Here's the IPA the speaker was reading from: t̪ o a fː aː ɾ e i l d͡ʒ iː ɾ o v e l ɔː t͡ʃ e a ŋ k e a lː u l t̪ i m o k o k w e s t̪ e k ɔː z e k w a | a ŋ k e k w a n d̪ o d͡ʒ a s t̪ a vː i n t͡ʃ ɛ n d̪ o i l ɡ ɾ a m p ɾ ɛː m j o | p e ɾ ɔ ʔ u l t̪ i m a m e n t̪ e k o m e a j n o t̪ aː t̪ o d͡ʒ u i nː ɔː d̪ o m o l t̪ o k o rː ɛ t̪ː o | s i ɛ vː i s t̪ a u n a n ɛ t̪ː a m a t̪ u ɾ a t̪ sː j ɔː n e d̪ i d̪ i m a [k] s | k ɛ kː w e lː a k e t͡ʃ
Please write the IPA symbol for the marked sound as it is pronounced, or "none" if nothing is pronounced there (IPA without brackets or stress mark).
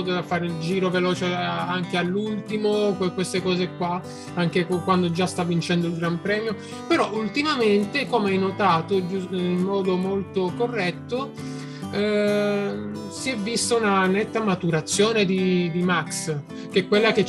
k